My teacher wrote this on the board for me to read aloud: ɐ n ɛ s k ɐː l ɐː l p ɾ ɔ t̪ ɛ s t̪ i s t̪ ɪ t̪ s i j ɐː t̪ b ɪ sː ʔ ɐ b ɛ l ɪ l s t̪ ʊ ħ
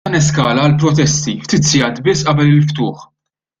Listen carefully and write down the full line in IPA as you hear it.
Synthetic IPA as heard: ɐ n ɛ s k ɐː l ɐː l p ɾ ɔ t̪ ɛ s t̪ i f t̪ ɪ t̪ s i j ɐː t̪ b ɪ sː ʔ ɐ b ɛ l ɪ l f t̪ ʊː ħ